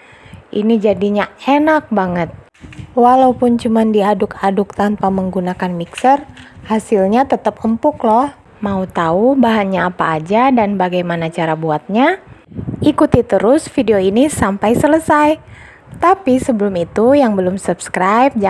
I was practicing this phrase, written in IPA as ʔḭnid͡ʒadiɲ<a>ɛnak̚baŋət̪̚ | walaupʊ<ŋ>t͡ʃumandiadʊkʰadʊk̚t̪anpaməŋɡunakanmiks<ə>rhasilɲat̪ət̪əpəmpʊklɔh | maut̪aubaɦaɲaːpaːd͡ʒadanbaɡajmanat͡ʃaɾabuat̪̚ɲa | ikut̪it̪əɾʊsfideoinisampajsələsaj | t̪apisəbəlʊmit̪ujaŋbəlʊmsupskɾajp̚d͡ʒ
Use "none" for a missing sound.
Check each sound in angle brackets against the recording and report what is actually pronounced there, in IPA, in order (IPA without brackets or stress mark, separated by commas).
a, n, ə